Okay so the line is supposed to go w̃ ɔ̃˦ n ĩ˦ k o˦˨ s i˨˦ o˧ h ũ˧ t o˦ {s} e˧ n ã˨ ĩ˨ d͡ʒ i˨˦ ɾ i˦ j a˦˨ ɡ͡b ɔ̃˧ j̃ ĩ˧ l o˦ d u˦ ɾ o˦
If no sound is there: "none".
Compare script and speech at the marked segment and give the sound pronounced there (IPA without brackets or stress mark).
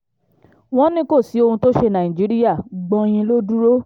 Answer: ʃ